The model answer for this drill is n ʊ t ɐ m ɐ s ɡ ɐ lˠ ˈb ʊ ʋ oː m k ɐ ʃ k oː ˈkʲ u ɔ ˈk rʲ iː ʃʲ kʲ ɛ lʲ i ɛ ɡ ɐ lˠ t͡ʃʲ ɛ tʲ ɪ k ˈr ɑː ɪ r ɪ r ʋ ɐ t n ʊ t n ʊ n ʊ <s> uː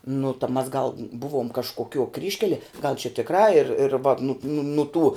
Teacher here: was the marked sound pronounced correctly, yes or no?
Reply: no